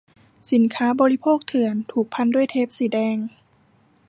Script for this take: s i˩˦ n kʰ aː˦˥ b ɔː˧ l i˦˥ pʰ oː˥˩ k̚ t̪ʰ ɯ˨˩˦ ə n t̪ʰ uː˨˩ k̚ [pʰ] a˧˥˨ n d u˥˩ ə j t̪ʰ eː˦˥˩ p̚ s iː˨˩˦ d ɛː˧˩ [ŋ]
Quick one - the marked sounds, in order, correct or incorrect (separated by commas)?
correct, correct